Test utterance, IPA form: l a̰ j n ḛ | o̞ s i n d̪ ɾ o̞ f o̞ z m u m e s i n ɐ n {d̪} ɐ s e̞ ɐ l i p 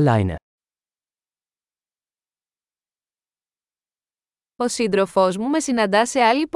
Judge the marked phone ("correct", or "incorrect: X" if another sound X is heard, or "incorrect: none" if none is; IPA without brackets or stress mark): correct